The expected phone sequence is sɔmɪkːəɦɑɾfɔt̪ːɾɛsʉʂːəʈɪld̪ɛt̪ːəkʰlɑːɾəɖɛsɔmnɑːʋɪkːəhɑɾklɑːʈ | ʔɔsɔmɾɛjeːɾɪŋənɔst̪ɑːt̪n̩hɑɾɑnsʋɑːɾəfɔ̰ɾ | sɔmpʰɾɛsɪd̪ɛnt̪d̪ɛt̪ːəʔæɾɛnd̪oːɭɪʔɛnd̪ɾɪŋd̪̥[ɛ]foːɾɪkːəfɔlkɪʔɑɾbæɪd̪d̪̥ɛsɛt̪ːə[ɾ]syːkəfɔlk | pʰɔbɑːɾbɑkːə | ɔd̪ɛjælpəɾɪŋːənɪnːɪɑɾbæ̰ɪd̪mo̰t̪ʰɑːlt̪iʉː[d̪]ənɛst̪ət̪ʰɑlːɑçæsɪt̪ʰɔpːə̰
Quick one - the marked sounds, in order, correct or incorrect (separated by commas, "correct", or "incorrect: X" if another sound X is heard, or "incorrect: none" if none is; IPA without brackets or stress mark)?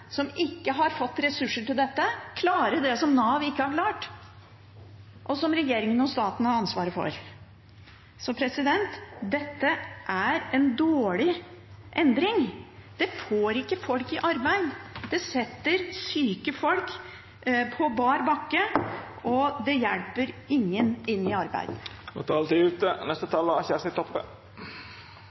correct, correct, incorrect: t̪